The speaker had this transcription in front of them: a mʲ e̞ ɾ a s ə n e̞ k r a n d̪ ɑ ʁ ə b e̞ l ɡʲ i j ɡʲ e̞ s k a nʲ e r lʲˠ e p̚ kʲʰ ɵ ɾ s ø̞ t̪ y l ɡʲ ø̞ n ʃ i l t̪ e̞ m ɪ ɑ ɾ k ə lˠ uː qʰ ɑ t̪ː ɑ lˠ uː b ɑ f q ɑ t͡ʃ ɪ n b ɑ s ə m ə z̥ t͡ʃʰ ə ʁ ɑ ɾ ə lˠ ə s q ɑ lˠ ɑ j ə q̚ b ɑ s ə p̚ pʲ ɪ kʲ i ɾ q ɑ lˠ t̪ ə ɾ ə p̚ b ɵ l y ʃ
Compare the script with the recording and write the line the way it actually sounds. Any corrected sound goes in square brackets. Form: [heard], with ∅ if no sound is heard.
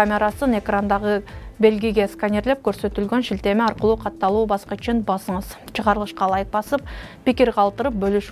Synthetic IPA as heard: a mʲ e̞ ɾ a s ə n e̞ k r a n d̪ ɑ ʁ ə b e̞ l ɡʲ i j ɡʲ e̞ s k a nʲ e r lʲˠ e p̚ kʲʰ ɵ ɾ s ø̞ t̪ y l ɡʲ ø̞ n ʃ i l t̪ e̞ m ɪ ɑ ɾ [q] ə lˠ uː qʰ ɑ t̪ː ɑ lˠ uː b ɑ [s] q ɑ t͡ʃ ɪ n b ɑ s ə [ɴ] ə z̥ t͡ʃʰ ə ʁ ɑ ɾ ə lˠ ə [ʃ] q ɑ lˠ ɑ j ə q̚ b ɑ s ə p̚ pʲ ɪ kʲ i ɾ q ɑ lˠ t̪ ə ɾ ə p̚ b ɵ l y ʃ

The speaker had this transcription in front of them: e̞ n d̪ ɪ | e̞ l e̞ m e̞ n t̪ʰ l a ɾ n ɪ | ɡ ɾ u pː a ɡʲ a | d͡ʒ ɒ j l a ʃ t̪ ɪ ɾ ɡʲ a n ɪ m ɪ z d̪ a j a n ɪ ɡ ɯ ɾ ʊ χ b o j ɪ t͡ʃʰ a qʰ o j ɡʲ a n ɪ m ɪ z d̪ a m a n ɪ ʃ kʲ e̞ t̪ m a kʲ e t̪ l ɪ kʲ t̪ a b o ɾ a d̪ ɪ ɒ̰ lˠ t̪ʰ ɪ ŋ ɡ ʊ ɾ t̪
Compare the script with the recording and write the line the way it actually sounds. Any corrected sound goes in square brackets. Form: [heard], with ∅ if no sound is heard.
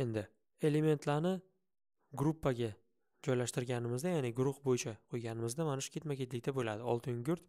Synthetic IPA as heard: e̞ n d̪ ɪ | e̞ l e̞ m e̞ n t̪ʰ l a ɾ n ɪ | ɡ ɾ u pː a ɡʲ a | d͡ʒ ɒ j l a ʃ t̪ ɪ ɾ ɡʲ a n ɪ m ɪ z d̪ a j a n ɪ ɡ [ʊ] ɾ ʊ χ b o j ɪ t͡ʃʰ a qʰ o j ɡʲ a n ɪ m ɪ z d̪ a m a n ɪ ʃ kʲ e̞ t̪ m a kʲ e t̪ l ɪ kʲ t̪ a b o [l] a d̪ ɪ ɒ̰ lˠ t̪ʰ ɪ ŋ ɡ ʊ ɾ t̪

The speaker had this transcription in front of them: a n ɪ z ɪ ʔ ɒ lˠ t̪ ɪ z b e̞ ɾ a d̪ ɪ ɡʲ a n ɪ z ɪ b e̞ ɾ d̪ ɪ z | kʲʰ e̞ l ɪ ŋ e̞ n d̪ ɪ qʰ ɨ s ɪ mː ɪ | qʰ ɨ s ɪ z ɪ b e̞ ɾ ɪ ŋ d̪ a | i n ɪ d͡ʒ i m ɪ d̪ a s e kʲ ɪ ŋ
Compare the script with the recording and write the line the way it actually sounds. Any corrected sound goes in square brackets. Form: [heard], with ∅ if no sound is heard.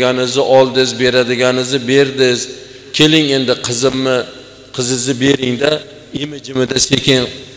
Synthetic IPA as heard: a n ɪ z ɪ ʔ ɒ lˠ [d̪] ɪ z b e̞ ɾ a d̪ ɪ ɡʲ a n ɪ z ɪ b e̞ ɾ d̪ ɪ z | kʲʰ e̞ l ɪ ŋ e̞ n d̪ ɪ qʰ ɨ [z] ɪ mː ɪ | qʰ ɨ [z] ɪ z ɪ b e̞ ɾ ɪ ŋ d̪ a | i [m] ɪ d͡ʒ [ɪ] m ɪ d̪ a s e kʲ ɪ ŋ

